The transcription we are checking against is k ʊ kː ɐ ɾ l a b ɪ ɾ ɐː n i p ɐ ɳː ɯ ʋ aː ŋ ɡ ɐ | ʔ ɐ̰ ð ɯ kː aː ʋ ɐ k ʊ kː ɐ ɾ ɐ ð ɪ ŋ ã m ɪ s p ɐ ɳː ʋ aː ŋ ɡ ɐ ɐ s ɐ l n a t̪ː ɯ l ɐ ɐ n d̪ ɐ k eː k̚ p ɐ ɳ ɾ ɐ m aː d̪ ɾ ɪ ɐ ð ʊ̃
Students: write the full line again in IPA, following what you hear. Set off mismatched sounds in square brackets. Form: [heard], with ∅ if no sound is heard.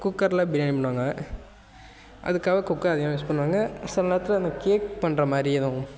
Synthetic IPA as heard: k ʊ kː ɐ ɾ l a b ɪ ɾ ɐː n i p ɐ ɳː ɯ ʋ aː ŋ ɡ ɐ | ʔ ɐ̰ ð ɯ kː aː ʋ ɐ k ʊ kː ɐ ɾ ɐ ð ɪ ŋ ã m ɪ s p ɐ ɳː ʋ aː ŋ ɡ ɐ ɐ s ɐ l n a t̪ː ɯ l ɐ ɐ n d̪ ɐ k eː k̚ p ɐ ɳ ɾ ɐ m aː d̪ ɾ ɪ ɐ ð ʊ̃